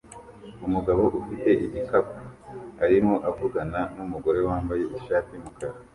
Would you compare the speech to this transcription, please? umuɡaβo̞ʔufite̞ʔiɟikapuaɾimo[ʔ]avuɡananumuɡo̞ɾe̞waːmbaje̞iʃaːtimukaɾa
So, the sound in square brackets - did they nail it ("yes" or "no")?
yes